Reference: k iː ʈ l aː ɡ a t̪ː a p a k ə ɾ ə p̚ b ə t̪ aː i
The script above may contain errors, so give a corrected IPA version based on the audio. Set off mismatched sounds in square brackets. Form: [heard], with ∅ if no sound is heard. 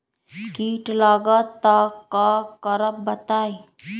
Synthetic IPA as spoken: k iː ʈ l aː ɡ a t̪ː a [k] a k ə ɾ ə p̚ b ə t̪ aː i